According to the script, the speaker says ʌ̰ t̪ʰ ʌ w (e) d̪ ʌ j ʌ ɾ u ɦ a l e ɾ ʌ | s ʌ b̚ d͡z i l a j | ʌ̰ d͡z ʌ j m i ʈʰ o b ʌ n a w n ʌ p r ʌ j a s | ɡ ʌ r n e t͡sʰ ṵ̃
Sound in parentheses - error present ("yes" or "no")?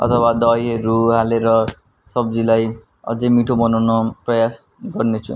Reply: yes